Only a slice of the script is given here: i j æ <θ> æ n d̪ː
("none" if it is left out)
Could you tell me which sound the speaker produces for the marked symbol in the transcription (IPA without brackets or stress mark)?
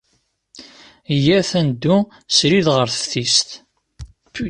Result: θ